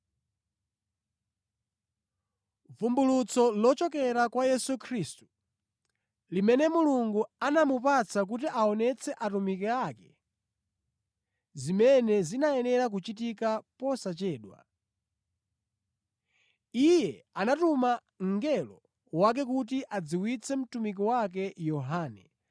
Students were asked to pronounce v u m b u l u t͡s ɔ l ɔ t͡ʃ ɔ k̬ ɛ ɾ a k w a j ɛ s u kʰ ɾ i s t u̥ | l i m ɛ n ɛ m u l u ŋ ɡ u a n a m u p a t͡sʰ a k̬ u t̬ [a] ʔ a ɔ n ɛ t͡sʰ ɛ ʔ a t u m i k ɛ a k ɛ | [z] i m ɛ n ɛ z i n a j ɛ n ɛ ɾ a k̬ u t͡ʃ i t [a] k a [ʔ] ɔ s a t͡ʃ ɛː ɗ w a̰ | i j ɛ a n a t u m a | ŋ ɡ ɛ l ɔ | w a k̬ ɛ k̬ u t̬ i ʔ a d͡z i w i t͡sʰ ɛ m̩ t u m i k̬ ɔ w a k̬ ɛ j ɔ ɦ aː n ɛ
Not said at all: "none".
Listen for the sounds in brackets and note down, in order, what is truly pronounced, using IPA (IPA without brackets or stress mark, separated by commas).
i, z, i, p